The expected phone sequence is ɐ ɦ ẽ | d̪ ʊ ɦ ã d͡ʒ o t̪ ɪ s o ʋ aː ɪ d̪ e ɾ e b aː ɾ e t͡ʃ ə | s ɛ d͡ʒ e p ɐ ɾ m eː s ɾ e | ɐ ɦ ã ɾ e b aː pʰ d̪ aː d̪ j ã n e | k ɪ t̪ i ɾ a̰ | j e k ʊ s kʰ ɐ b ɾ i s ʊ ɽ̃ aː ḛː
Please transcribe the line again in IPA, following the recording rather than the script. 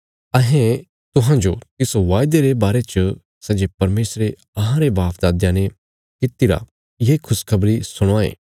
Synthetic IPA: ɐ ɦ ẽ | t̪ ʊ ɦ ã d͡ʒ o t̪ ɪ s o ʋ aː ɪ d̪ e ɾ e b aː ɾ e t͡ʃ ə | s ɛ d͡ʒ e p ɐ ɾ m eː s ɾ e | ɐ ɦ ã ɾ e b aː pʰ d̪ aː d̪ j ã n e | k ɪ t̪ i ɾ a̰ | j e kʰ ʊ s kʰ ɐ b ɾ i s ʊ ɽ̃ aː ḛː